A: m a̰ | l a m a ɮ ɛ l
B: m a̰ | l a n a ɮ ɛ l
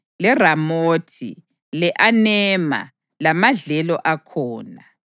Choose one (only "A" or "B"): A